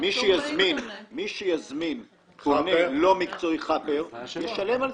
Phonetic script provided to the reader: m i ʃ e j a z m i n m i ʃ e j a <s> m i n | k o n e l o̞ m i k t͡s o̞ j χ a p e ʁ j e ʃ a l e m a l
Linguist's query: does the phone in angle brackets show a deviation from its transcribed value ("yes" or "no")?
yes